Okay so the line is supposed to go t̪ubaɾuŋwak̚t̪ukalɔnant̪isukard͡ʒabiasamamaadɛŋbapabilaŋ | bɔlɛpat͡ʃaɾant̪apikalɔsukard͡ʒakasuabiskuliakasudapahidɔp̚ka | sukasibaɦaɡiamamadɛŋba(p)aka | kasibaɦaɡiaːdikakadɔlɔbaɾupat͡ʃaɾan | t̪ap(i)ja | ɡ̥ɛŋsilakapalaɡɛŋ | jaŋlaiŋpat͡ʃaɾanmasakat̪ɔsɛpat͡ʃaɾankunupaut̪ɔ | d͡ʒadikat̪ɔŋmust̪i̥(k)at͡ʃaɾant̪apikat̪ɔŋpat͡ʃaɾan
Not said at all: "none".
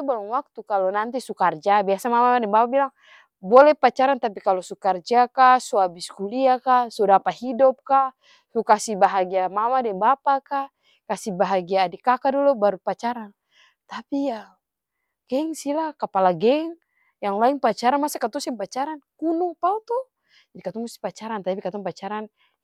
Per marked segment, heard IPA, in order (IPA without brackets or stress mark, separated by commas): p, i, p